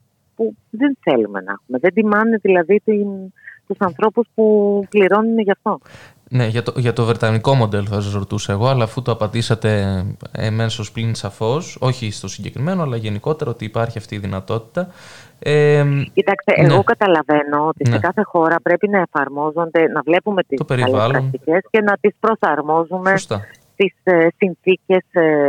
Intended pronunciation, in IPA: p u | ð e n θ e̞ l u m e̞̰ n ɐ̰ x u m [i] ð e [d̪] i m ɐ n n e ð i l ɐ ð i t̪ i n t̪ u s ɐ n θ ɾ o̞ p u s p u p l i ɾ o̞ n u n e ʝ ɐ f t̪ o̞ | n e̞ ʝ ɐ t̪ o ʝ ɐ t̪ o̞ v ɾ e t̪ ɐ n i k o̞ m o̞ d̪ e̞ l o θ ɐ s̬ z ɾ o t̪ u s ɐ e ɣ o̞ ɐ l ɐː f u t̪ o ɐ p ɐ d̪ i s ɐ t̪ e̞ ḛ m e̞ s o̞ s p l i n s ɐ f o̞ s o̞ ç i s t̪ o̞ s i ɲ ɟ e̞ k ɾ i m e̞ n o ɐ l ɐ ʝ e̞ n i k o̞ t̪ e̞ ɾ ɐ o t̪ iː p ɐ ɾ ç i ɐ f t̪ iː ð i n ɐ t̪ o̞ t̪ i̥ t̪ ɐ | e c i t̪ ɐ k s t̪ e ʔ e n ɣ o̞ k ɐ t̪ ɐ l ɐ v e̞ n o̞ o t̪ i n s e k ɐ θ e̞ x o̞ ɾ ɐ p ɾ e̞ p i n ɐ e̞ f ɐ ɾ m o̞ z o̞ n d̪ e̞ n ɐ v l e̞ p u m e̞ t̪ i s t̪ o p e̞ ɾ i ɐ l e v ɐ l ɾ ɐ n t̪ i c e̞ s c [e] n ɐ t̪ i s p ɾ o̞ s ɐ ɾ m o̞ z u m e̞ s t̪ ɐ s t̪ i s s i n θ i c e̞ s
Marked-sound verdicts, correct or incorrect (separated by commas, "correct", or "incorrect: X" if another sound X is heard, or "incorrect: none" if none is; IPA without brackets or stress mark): incorrect: e, correct, correct